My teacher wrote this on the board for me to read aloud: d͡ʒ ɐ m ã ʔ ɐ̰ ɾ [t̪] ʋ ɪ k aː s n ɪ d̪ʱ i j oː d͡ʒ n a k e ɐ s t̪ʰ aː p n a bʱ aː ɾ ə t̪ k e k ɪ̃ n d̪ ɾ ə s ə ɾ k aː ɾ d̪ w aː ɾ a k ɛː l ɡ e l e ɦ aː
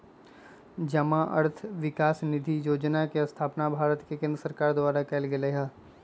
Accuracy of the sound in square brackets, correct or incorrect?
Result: incorrect